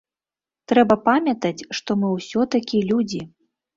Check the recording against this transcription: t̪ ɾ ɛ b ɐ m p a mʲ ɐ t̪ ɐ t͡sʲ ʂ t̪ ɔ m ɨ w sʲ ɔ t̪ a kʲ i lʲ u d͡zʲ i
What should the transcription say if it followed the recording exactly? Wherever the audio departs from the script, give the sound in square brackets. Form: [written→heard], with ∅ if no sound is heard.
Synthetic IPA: t̪ ɾ ɛ b ɐ [m→∅] p a mʲ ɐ t̪ ɐ t͡sʲ ʂ t̪ ɔ m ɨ w sʲ ɔ t̪ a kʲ i lʲ u d͡zʲ i